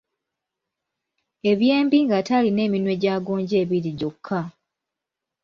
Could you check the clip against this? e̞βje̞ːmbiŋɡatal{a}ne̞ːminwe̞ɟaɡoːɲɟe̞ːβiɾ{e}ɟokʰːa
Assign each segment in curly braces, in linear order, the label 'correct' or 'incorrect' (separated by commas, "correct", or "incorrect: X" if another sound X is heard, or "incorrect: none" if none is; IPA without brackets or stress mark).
incorrect: i, incorrect: i